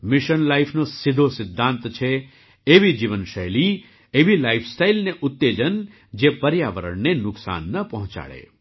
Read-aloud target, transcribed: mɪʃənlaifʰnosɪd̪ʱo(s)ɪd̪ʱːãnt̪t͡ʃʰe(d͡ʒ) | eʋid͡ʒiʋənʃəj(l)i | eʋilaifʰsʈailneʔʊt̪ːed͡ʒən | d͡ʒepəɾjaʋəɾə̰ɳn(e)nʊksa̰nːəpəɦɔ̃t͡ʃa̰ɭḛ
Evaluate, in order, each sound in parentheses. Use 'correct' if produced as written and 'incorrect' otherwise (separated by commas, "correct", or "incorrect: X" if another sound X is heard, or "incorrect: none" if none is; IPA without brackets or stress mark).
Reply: correct, incorrect: none, correct, correct